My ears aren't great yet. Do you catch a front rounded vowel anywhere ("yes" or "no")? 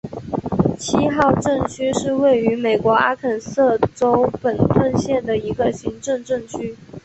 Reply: yes